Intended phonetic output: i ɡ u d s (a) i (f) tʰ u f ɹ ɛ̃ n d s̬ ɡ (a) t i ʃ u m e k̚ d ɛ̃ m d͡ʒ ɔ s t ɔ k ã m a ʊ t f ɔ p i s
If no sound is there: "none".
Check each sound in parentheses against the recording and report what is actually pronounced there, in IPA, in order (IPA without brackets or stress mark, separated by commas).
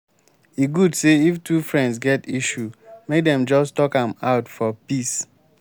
e, f, ɛ